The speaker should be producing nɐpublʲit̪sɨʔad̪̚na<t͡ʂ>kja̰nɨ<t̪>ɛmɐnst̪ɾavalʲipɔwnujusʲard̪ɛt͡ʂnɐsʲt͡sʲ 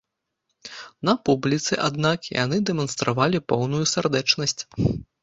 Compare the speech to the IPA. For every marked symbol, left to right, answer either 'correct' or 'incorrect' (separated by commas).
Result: incorrect, incorrect